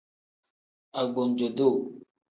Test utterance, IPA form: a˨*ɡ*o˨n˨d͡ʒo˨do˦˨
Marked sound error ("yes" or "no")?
yes